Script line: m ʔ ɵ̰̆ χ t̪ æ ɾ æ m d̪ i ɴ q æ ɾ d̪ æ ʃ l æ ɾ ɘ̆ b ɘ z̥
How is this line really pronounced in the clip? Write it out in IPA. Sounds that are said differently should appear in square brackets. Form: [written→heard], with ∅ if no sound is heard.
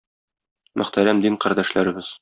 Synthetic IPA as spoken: m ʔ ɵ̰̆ χ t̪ æ ɾ æ m d̪ i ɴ q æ ɾ d̪ æ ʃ l æ ɾ ɘ̆ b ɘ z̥